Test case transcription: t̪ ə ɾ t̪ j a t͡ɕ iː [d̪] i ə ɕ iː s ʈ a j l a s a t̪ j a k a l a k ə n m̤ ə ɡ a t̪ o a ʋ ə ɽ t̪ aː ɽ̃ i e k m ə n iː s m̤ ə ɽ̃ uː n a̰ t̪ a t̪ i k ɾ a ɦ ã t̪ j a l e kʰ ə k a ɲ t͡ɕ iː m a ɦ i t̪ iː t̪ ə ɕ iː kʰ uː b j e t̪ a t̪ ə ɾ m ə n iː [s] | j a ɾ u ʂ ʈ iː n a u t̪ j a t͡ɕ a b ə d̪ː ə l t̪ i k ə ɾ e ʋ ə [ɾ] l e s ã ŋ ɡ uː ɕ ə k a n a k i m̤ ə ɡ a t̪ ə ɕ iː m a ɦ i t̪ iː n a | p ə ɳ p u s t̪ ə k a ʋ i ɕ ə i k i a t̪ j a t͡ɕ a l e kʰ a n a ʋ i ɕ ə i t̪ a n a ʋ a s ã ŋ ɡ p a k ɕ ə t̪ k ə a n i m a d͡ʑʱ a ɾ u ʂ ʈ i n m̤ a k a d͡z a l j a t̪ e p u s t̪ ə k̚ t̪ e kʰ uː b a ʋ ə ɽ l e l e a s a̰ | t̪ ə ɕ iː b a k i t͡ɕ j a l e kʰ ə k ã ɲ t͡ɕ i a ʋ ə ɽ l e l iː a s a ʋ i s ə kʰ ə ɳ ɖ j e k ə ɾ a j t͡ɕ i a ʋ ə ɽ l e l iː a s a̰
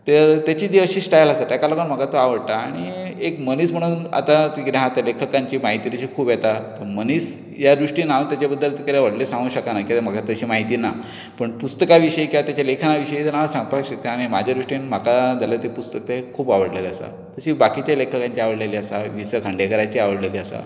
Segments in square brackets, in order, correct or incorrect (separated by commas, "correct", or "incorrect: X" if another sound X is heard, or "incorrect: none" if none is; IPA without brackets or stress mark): correct, correct, incorrect: ɽ